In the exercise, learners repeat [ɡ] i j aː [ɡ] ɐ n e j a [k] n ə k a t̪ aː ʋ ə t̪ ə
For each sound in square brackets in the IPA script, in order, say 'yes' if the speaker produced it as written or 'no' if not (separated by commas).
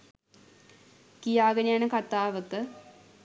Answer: no, yes, no